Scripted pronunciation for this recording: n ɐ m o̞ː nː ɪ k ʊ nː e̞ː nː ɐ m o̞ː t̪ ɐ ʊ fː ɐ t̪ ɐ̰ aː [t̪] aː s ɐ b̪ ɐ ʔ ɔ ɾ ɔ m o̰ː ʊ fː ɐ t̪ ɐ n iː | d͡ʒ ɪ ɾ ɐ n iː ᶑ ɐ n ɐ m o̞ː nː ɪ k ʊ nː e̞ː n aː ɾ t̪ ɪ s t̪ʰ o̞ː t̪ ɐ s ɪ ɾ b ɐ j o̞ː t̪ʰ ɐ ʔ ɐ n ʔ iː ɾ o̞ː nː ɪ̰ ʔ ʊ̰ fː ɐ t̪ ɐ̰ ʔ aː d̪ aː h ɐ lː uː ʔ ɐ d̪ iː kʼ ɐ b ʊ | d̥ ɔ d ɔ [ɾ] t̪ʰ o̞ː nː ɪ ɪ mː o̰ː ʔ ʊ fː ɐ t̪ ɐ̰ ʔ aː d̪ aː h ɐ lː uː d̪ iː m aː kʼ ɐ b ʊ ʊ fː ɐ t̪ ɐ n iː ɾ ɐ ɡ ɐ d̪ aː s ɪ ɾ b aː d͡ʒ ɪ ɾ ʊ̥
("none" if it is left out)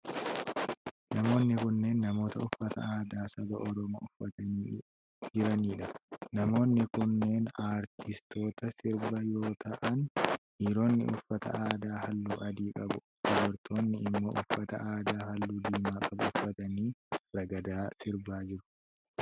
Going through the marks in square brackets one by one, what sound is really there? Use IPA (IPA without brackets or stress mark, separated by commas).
d̪, ɾ